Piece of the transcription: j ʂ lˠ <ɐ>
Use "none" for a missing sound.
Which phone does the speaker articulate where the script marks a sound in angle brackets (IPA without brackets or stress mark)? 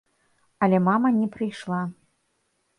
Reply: a